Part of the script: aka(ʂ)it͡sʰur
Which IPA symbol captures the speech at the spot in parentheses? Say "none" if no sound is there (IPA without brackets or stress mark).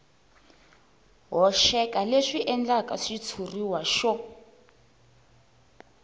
ʂ